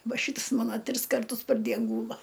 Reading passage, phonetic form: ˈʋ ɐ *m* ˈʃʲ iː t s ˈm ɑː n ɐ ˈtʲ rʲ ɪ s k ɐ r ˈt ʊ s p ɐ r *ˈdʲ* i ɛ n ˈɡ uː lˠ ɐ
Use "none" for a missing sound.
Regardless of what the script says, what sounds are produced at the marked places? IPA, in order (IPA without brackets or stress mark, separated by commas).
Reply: none, dʲ